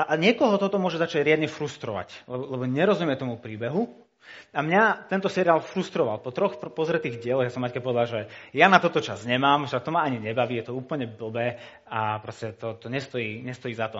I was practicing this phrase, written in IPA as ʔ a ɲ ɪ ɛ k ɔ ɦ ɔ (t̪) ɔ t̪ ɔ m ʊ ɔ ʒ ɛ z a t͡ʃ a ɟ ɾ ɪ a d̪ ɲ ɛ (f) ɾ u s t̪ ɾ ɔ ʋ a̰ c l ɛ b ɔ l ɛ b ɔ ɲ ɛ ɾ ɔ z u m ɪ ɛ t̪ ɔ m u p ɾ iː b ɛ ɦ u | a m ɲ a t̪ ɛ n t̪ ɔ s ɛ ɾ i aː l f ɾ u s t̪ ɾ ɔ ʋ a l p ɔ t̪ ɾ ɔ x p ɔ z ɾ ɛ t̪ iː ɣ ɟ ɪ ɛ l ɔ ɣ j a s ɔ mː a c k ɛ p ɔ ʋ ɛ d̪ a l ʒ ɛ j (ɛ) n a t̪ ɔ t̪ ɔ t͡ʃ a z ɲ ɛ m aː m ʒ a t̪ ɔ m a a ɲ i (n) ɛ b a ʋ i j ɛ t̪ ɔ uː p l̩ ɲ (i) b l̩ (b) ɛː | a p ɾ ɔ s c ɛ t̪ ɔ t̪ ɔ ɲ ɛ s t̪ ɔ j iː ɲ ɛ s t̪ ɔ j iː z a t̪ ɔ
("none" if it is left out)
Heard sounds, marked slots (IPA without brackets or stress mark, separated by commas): t̪, f, a, ɲ, ɛ, b